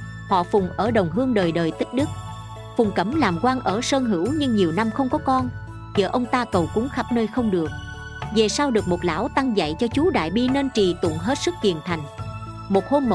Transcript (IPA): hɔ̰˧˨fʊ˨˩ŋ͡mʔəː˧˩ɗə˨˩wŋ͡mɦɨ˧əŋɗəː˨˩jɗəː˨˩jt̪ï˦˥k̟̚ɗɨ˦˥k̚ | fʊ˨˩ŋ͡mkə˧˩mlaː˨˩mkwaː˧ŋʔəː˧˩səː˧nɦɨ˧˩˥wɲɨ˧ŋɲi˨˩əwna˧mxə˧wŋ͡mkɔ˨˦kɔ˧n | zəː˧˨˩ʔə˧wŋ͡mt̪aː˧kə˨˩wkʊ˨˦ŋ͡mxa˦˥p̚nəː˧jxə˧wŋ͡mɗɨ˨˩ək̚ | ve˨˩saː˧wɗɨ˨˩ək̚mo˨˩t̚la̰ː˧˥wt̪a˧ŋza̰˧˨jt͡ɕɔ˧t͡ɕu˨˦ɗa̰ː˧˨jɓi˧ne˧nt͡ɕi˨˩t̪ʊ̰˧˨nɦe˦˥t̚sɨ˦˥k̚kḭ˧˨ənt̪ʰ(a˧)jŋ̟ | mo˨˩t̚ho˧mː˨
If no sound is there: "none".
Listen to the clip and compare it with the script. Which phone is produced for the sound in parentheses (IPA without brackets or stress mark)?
a˨˩